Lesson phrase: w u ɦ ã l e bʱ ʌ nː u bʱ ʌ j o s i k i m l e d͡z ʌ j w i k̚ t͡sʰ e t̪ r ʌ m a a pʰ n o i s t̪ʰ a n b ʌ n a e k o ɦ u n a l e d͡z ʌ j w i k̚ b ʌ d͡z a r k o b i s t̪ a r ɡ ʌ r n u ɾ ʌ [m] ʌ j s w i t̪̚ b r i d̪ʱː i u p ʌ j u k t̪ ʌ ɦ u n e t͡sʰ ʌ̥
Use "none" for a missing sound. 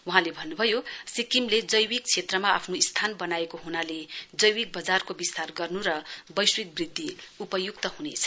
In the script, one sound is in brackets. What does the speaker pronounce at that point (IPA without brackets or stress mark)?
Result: b